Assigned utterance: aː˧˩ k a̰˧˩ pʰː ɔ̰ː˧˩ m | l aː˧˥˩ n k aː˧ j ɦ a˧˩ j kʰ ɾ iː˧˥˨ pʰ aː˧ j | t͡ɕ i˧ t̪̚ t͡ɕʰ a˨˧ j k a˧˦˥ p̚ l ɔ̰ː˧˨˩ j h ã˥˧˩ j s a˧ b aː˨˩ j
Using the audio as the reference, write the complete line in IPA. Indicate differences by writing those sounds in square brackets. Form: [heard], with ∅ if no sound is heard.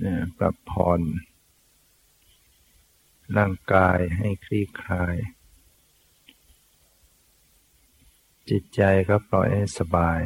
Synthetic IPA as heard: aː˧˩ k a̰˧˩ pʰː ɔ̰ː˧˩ [n] | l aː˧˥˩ [ŋ] k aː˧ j ɦ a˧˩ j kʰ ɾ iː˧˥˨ [kʰ] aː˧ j | t͡ɕ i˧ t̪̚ [t͡ɕ] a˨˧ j k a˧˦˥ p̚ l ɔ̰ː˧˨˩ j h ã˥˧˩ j s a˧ b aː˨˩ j